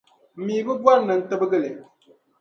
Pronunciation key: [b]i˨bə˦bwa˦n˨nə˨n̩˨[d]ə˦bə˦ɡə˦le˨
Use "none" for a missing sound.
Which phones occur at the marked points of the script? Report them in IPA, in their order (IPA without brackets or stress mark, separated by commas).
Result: m, t